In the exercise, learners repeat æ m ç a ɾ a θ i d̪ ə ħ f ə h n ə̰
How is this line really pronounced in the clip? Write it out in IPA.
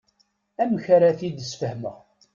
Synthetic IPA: æ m ç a ɾ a θ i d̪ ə s f ə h m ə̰